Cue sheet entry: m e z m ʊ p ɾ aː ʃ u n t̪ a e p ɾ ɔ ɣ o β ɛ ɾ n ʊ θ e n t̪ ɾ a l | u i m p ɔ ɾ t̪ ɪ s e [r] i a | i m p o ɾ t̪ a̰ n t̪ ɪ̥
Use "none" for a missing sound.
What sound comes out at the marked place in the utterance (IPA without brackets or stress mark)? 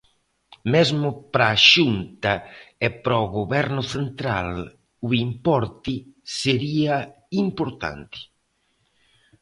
ɾ